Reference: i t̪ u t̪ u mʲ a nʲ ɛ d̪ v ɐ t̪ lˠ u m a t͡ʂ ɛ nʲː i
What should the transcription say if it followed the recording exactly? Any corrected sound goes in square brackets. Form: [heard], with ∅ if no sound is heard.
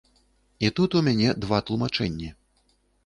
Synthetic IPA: i t̪ u t̪ u mʲ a nʲ ɛ d̪ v [a] t̪ lˠ u m a t͡ʂ ɛ nʲː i

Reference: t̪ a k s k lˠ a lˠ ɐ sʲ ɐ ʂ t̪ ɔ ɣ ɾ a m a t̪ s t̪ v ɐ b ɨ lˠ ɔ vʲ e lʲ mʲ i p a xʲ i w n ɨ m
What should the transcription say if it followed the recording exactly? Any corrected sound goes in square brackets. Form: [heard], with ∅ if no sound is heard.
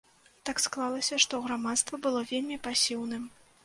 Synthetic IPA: t̪ a k s k lˠ a lˠ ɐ sʲ ɐ ʂ t̪ ɔ ɣ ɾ a m a t̪ s t̪ v ɐ b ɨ lˠ ɔ vʲ e lʲ mʲ i p a [sʲ] i w n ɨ m

